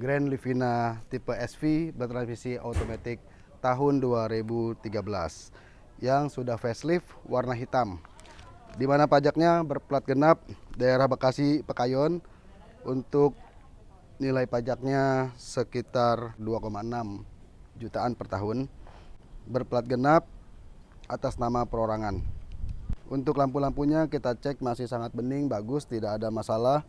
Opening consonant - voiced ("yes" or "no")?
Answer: yes